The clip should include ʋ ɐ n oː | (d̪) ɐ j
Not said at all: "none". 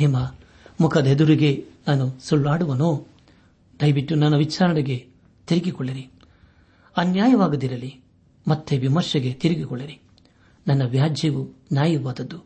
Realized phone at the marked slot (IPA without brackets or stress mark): d̪